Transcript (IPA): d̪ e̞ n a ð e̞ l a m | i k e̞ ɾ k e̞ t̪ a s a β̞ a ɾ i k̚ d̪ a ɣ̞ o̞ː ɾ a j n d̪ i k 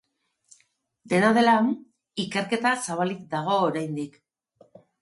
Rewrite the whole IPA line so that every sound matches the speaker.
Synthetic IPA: d̪ e̞ n a ð e̞ l a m | i k e̞ ɾ k e̞ t̪ a s a β̞ a l i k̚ d̪ a ɣ̞ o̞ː ɾ a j n d̪ i k